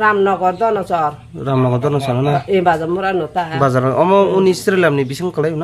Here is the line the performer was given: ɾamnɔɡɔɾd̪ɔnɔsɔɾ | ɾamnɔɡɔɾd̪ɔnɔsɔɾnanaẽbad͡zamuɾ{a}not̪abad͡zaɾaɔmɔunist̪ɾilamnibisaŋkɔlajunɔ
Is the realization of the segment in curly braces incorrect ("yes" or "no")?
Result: no